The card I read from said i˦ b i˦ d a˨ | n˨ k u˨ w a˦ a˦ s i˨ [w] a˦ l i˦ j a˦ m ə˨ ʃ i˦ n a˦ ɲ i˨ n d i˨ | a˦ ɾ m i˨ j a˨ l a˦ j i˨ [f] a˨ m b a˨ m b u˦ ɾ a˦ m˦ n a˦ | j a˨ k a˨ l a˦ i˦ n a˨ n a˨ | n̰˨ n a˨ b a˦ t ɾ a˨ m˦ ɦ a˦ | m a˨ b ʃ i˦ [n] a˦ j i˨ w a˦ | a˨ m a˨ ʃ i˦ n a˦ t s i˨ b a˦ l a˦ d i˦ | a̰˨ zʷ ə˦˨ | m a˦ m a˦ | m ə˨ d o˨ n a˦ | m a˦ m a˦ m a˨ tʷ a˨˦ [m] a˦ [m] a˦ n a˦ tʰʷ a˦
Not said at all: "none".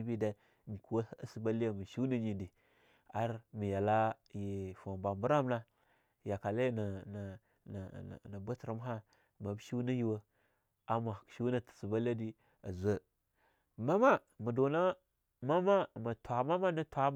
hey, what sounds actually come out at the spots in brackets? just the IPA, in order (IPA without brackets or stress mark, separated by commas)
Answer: b, f, n, m, m